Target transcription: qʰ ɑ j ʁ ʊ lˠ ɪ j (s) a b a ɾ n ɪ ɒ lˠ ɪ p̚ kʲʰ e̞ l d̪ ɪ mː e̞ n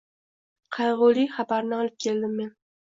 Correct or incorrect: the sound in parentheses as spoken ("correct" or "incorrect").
incorrect